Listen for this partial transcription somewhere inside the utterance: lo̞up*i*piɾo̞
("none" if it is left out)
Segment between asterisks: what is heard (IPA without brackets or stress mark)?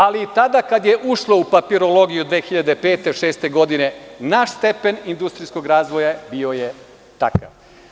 a